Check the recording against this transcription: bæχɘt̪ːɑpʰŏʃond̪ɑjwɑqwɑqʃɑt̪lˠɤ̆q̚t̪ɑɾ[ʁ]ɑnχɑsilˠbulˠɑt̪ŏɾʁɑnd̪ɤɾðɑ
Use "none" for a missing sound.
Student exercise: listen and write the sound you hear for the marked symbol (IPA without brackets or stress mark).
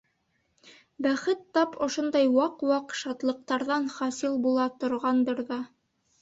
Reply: ð